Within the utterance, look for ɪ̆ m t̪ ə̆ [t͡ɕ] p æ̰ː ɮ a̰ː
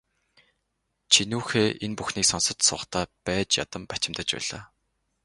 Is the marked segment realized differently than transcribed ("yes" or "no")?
no